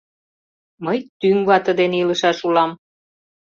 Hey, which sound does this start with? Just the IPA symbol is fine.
m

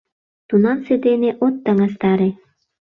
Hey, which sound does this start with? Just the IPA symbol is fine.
t̪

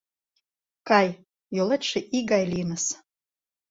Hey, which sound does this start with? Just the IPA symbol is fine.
k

